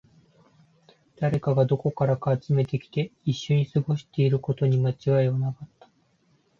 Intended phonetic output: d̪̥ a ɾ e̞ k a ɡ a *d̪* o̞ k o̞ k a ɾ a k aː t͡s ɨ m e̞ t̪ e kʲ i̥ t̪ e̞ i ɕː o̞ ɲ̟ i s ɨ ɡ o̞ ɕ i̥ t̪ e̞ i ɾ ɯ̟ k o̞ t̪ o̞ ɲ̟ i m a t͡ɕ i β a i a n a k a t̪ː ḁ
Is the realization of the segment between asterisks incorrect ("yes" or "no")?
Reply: no